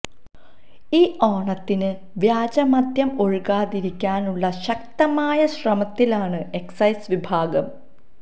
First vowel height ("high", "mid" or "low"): high